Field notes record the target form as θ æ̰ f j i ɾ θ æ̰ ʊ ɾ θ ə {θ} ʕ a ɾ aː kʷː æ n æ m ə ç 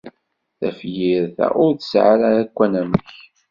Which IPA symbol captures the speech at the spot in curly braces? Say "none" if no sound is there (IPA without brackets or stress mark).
s